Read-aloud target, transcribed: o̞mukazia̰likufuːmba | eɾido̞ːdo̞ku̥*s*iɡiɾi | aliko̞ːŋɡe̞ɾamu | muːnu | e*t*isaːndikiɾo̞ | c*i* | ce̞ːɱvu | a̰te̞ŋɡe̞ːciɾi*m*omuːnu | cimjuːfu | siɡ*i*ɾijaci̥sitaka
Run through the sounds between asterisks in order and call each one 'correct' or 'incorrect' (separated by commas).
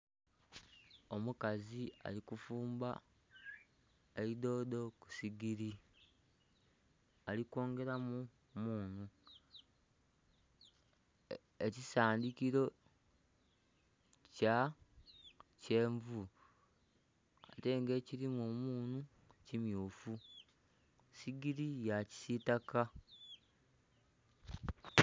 correct, incorrect, incorrect, correct, correct